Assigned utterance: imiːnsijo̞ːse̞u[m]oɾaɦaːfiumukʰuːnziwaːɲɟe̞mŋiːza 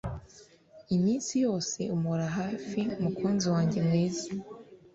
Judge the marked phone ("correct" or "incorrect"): correct